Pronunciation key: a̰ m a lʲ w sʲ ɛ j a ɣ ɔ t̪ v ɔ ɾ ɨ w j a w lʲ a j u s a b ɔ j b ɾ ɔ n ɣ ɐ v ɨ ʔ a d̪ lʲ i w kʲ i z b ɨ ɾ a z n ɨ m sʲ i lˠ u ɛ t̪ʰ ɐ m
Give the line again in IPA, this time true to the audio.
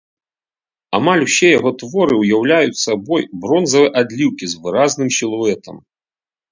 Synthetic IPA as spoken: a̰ m a lʲ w sʲ ɛ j a ɣ ɔ t̪ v ɔ ɾ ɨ w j a w lʲ a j u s a b ɔ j b ɾ ɔ n z ɐ v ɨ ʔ a d̪ lʲ i w kʲ i z v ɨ ɾ a z n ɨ m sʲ i lˠ u ɛ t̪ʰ ɐ m

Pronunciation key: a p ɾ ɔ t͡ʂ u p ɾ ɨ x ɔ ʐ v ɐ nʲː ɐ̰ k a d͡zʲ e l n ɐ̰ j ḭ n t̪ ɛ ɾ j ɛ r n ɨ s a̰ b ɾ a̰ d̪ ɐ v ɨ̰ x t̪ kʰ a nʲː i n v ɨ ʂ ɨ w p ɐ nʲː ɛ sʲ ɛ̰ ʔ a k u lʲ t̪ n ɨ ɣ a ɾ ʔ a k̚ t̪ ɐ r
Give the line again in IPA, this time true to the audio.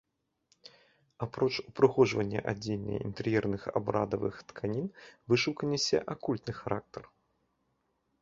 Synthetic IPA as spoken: a p ɾ ɔ t͡ʂ u p ɾ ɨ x ɔ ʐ v ɐ nʲː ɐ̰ ʔ a d͡zʲ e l n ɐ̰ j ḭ n t̪ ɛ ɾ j ɛ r n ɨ x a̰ b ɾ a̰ d̪ ɐ v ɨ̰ x t̪ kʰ a nʲ i n v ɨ ʂ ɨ w k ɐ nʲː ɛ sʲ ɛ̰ ʔ a k u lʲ t̪ n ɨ x a ɾ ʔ a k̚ t̪ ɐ r

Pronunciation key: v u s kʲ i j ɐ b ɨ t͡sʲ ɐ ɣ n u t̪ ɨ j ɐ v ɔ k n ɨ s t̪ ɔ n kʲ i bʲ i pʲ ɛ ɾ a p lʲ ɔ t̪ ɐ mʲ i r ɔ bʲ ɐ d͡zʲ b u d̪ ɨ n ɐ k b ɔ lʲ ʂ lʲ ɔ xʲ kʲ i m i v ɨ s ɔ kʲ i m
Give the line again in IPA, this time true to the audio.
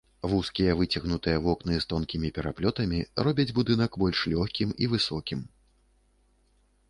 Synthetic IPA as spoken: v u s kʲ i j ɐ v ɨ t͡sʲ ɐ ɣ n u t̪ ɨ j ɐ v ɔ k n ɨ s t̪ ɔ n kʲ i mʲ i pʲ ɛ ɾ a p lʲ ɔ t̪ ɐ mʲ i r ɔ bʲ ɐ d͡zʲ b u d̪ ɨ n ɐ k b ɔ lʲ ʂ lʲ ɔ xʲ kʲ i m i v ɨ s ɔ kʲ i m

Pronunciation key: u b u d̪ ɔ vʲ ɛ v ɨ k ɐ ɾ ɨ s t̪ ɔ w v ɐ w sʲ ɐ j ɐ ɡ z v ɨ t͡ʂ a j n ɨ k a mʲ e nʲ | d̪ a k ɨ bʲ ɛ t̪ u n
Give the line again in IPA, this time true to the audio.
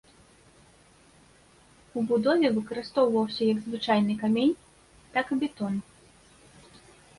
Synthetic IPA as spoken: u b u d̪ ɔ vʲ ɛ v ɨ k ɐ ɾ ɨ s t̪ ɔ w v ɐ w sʲ ɐ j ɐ ɡ z v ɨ t͡ʂ a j n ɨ k a mʲ e nʲ | t̪ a k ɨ bʲ ɛ t̪ ɔ n

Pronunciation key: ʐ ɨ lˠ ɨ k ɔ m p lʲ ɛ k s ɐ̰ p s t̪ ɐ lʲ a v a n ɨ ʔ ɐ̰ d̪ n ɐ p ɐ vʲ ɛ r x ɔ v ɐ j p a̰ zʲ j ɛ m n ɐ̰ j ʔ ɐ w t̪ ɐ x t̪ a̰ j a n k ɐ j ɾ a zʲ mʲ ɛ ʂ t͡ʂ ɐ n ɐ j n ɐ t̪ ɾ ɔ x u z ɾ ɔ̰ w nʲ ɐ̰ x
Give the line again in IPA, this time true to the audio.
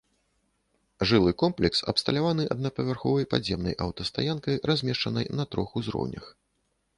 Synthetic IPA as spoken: ʐ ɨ lˠ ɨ k ɔ m p lʲ ɛ k s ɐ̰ p s t̪ ɐ lʲ a v a n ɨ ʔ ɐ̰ d̪ n ɐ p ɐ vʲ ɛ r x ɔ v ɐ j p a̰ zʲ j ɛ m n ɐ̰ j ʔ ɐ w t̪ ɐ s t̪ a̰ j a n k ɐ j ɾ a zʲ mʲ ɛ ʂ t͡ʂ ɐ n ɐ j n ɐ t̪ ɾ ɔ x u z ɾ ɔ̰ w nʲ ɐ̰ x

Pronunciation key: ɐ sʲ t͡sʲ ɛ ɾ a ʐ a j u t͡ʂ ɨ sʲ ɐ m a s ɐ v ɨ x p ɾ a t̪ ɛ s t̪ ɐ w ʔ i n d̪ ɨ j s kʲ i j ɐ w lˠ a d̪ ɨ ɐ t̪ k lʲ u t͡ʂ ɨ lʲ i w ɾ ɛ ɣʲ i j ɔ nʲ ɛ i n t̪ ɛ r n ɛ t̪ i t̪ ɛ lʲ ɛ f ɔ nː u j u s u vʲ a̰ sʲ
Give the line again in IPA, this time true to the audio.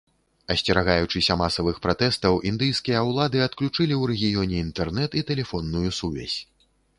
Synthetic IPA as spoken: ɐ sʲ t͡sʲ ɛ ɾ a ɣ a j u t͡ʂ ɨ sʲ ɐ m a s ɐ v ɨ x p ɾ a t̪ ɛ s t̪ ɐ w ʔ i n d̪ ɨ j s kʲ i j ɐ w lˠ a d̪ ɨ ɐ t̪ k lʲ u t͡ʂ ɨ lʲ i w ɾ ɛ ɣʲ i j ɔ nʲ ɛ i n t̪ ɛ r n ɛ t̪ i t̪ ɛ lʲ ɛ f ɔ nː u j u s u vʲ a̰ sʲ

